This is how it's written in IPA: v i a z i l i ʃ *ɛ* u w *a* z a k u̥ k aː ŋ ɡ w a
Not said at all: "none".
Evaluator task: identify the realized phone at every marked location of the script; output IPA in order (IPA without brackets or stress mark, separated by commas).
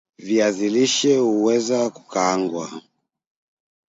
ɛ, ɛ